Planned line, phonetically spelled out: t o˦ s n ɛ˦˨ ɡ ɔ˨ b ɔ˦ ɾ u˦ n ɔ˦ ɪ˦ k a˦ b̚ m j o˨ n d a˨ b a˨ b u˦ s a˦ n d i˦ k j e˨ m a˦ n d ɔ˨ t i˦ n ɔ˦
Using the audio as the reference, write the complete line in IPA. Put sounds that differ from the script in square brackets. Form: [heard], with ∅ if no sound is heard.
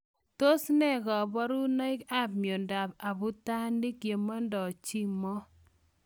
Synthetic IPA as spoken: t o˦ s n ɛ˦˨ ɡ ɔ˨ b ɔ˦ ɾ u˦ n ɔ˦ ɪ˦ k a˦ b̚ m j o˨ n d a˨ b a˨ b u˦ [t] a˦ n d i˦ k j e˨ m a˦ n d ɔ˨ [t͡ʃ] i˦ [m] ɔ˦